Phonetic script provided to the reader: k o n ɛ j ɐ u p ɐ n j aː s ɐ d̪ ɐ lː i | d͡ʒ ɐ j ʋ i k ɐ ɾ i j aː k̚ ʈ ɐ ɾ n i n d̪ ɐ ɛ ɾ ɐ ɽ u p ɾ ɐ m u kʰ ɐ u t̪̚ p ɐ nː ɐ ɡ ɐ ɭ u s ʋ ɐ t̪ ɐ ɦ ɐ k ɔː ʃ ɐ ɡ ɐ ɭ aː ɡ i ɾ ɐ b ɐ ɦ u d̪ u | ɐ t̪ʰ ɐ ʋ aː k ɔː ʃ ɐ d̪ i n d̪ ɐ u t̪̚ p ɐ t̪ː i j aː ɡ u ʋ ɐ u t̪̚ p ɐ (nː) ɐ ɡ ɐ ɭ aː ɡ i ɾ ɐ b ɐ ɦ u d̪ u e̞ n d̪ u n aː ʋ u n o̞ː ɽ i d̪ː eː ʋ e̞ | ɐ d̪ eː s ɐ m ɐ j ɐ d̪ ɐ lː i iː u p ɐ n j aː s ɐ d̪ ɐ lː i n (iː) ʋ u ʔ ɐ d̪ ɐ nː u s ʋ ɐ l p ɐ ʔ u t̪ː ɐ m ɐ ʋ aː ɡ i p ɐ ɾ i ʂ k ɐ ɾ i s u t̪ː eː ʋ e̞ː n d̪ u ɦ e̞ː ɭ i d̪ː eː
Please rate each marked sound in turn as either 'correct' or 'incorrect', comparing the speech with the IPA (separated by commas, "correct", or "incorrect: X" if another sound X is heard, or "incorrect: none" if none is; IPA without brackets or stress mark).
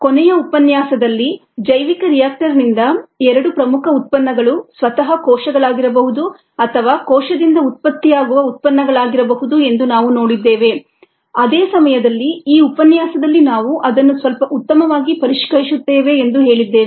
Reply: correct, incorrect: aː